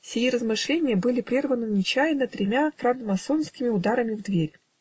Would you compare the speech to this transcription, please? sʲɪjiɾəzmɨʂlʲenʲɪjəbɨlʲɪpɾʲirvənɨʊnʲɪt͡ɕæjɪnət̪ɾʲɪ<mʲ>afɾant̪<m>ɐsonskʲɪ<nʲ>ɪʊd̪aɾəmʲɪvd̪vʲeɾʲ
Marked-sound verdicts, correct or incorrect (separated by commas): correct, correct, incorrect